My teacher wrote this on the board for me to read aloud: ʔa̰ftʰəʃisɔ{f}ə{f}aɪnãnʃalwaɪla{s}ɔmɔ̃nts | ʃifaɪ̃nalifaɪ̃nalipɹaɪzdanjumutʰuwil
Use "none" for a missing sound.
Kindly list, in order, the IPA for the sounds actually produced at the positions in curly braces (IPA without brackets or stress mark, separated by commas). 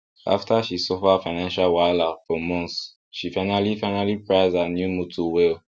f, f, f